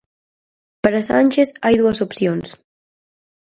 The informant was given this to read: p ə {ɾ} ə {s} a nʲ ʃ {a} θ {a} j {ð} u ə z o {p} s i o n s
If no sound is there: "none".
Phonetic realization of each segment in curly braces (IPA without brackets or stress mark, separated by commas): ɾ, s, e, a, ð, p